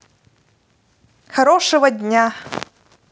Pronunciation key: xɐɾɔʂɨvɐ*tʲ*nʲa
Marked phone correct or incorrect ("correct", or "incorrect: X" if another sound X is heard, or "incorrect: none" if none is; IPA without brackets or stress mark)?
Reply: incorrect: dʲ